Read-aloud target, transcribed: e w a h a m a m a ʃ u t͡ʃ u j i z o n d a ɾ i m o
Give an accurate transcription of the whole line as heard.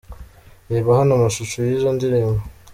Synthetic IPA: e β a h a n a m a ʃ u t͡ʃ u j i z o n d i ɾ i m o

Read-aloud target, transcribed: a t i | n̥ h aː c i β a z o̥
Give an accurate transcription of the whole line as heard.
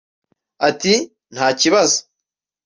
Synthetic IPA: a t i | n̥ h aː c i β a z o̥

